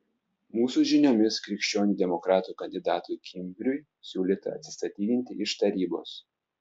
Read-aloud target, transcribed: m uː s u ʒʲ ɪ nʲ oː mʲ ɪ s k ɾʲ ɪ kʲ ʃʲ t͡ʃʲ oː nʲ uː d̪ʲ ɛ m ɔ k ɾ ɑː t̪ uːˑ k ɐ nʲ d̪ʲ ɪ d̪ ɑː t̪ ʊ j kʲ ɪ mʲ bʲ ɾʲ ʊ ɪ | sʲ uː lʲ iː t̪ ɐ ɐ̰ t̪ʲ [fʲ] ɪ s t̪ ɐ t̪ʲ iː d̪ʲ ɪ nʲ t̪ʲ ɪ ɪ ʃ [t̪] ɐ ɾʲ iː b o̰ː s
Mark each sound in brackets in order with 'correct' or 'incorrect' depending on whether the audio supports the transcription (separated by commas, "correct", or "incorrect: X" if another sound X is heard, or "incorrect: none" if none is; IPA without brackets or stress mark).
incorrect: sʲ, correct